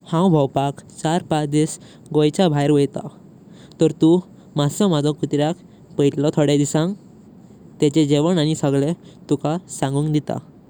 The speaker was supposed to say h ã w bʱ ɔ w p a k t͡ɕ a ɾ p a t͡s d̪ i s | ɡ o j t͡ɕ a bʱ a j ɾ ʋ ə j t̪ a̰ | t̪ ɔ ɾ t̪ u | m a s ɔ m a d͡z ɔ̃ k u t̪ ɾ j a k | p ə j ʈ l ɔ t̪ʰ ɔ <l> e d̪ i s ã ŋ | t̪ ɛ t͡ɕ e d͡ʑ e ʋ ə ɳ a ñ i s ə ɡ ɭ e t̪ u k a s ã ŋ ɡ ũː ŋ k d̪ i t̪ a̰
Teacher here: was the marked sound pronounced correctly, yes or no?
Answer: no